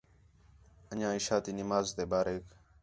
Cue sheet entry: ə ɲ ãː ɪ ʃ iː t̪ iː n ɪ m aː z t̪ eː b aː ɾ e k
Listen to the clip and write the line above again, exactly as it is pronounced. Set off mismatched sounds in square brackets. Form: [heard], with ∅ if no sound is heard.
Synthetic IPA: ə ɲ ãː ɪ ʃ [aː] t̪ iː n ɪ m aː z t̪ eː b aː ɾ e k